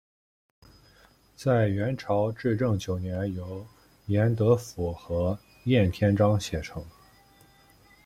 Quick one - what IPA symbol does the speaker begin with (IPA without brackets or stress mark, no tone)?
t͡s